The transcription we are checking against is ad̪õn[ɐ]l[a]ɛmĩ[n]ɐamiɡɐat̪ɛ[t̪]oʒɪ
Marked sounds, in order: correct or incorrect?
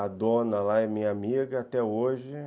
correct, correct, incorrect: ɲ, incorrect: none

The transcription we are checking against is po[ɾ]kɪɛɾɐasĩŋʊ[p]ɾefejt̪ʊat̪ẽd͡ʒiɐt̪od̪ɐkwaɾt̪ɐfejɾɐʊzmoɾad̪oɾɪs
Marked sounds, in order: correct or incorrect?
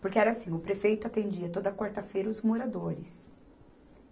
correct, correct

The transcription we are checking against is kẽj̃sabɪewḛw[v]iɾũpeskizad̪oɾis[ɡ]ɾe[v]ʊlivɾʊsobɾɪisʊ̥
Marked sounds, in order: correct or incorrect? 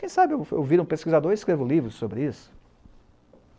correct, incorrect: k, correct

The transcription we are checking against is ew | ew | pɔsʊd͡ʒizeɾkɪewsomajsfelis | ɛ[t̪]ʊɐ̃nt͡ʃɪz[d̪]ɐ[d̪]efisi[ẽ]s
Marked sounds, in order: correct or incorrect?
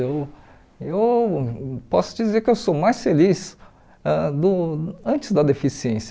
incorrect: d̪, correct, correct, correct

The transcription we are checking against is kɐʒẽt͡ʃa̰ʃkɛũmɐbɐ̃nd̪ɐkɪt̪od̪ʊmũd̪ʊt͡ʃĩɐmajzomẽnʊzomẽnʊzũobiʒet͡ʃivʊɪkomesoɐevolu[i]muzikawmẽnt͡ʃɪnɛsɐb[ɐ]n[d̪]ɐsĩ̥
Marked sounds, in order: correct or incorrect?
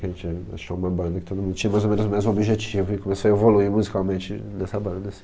correct, incorrect: ɐ̃, correct

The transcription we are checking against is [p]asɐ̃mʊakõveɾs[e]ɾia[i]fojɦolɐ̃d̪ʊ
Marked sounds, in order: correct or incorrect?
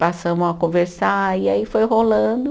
correct, incorrect: a, correct

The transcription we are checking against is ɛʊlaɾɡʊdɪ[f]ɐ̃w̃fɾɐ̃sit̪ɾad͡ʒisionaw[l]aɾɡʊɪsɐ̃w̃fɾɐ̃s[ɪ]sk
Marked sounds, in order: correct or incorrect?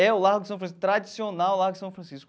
incorrect: s, correct, incorrect: i

